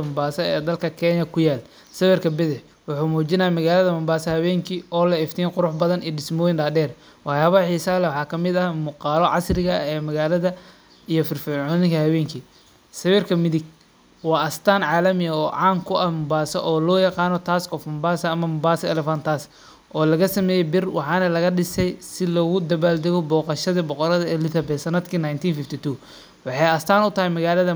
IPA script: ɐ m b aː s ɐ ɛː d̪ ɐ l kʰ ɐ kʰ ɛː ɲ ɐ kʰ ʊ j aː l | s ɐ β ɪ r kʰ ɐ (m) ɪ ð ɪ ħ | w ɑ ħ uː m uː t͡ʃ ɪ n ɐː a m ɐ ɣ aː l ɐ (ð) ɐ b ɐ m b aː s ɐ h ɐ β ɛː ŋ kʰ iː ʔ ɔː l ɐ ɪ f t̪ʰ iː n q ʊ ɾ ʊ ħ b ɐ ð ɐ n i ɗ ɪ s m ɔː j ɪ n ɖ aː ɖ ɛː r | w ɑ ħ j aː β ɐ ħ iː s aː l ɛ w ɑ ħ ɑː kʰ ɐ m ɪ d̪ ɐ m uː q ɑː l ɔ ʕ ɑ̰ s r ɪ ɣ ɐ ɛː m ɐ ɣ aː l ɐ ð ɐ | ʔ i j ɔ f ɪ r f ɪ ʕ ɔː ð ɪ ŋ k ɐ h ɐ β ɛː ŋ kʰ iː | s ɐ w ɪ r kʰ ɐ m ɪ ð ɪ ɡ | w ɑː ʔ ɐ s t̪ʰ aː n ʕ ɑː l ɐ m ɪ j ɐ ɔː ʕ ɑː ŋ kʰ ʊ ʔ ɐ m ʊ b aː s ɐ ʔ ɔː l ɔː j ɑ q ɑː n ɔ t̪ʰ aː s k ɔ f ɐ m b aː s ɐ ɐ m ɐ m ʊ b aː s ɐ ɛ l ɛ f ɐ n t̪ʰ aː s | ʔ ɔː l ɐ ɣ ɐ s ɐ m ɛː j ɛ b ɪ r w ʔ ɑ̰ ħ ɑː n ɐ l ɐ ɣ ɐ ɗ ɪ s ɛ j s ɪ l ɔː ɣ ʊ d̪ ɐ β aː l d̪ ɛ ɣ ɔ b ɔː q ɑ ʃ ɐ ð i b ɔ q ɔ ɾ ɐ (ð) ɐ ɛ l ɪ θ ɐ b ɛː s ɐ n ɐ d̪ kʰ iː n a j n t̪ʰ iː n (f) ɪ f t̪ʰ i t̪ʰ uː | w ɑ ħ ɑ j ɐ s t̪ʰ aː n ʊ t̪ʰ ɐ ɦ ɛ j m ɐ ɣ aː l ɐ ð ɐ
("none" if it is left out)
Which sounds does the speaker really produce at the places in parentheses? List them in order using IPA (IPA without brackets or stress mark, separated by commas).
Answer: b, ð, ð, f